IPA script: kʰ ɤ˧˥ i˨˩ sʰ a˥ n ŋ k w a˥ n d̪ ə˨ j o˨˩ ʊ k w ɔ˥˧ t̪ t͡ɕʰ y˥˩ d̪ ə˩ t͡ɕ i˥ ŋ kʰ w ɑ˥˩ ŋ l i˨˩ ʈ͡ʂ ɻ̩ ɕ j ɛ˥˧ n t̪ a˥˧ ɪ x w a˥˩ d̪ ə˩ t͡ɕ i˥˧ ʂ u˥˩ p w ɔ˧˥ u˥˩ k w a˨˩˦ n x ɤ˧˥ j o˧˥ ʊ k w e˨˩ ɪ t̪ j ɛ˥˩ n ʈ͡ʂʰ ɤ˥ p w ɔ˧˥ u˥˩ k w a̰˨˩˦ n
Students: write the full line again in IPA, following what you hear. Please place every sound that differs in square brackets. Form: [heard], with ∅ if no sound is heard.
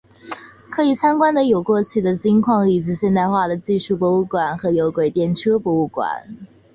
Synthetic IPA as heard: kʰ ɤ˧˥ i˨˩ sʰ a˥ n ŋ k w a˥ n d̪ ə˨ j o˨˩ ʊ k w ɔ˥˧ [∅] t͡ɕʰ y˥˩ d̪ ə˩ t͡ɕ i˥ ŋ kʰ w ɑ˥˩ ŋ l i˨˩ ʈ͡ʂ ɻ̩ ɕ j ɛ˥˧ n t̪ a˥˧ ɪ x w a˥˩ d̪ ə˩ t͡ɕ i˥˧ ʂ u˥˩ p w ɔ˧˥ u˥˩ k w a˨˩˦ n x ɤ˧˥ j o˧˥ ʊ k w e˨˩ ɪ t̪ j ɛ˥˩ n ʈ͡ʂʰ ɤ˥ p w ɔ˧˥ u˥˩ k w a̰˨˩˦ n

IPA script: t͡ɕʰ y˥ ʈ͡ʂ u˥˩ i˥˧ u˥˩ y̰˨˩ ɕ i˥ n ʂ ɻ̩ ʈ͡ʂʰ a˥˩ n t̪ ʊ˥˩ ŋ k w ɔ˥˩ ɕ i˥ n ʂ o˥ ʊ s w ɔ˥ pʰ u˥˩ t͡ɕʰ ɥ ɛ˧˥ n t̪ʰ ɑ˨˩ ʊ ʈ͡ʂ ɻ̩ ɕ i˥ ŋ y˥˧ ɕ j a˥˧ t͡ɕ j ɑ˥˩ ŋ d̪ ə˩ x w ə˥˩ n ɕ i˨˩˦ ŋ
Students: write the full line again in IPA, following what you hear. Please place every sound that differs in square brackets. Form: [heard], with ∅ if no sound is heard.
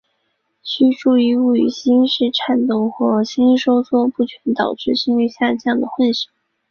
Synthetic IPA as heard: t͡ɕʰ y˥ ʈ͡ʂ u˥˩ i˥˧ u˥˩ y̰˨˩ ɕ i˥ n ʂ ɻ̩ ʈ͡ʂʰ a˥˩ n t̪ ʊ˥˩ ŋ [x] w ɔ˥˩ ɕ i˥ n ʂ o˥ ʊ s w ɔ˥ [p] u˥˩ t͡ɕʰ ɥ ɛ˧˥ n [t̪] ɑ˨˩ ʊ ʈ͡ʂ ɻ̩ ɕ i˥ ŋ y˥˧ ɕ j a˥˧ t͡ɕ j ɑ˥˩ ŋ d̪ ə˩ x w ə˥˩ n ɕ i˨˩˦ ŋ

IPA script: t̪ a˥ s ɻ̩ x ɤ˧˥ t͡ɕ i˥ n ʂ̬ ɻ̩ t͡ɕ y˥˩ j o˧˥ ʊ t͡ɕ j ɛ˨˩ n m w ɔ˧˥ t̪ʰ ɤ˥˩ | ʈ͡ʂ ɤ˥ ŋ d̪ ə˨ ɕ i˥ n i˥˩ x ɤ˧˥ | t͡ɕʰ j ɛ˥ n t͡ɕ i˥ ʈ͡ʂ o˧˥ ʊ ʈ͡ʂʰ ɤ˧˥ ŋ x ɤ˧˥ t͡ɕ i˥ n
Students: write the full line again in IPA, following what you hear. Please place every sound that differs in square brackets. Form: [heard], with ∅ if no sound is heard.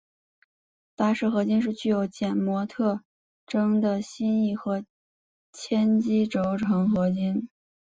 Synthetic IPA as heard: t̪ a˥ [ʂ] ɻ̩ x ɤ˧˥ t͡ɕ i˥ n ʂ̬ ɻ̩ t͡ɕ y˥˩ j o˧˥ ʊ t͡ɕ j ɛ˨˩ n m w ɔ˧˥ t̪ʰ ɤ˥˩ | ʈ͡ʂ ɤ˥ ŋ d̪ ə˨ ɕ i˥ n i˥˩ x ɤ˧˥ | t͡ɕʰ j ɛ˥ n t͡ɕ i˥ ʈ͡ʂ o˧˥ ʊ ʈ͡ʂʰ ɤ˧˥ ŋ x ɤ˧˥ t͡ɕ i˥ n

